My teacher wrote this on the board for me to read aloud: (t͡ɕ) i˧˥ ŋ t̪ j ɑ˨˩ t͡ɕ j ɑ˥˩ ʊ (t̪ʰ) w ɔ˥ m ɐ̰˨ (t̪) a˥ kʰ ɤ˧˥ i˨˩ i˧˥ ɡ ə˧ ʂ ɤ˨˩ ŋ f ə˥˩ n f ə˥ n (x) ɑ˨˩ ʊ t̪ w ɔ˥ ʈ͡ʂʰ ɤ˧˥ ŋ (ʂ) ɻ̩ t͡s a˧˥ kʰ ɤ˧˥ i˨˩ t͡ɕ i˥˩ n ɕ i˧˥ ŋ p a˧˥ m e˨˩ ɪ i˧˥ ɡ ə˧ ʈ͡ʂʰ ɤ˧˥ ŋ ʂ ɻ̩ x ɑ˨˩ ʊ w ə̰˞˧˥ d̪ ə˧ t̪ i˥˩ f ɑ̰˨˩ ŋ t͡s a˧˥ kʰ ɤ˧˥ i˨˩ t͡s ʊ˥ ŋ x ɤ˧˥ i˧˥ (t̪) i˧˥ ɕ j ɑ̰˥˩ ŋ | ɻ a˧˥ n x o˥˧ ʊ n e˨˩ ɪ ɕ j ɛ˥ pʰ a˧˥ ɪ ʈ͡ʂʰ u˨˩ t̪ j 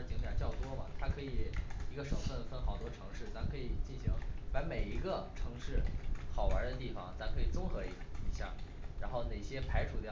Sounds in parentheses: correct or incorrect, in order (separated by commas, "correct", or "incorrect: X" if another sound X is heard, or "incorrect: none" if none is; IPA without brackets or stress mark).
correct, incorrect: t̪, incorrect: t̪ʰ, correct, correct, incorrect: none